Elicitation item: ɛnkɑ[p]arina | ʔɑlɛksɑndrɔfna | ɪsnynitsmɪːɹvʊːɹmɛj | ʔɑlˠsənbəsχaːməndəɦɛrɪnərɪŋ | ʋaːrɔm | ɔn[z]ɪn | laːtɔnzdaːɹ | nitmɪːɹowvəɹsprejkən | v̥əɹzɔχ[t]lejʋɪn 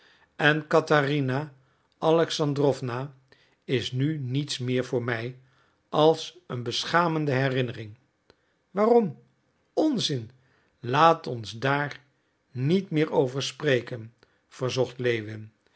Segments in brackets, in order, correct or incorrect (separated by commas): incorrect, correct, correct